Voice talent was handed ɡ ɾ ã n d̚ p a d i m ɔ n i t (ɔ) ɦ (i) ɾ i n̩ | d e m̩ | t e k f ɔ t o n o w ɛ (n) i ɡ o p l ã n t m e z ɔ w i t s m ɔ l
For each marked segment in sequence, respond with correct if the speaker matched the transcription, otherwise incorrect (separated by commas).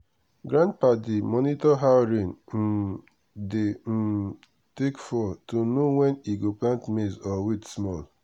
correct, incorrect, correct